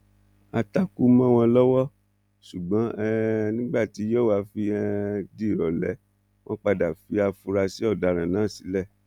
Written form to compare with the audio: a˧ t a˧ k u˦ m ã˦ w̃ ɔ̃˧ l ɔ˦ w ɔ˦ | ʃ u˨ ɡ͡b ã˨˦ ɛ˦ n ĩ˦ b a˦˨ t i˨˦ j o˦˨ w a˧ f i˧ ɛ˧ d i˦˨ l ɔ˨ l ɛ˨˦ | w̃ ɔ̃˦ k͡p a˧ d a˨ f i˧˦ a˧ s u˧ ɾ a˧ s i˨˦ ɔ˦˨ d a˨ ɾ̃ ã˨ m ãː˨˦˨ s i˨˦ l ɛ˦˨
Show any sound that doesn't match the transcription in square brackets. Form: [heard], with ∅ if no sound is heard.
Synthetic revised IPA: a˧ t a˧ k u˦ m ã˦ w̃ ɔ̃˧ l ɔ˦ w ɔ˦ | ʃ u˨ ɡ͡b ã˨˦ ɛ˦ n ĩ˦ [ɡ͡b] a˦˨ t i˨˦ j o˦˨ w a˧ f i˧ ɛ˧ d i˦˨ [ɾ] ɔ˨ l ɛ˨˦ | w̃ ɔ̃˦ k͡p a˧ d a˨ f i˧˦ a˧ [f] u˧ ɾ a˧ s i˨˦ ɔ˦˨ d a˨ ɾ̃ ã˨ [n] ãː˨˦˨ s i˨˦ l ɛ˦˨